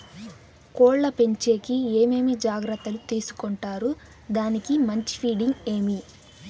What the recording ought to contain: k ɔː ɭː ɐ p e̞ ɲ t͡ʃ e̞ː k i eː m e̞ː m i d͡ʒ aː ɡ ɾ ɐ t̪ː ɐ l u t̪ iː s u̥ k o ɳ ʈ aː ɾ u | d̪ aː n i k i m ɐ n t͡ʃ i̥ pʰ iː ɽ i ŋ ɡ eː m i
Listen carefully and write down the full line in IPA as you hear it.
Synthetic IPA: k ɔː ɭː ɐ p e̞ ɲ t͡ʃ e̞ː k i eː m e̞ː m i d͡ʒ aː ɡ ɾ ɐ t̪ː ɐ l u t̪ iː s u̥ k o ɳ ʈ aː ɾ u | d̪ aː n i k i m ɐ ɲ t͡ʃ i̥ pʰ iː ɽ i ŋ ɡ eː m i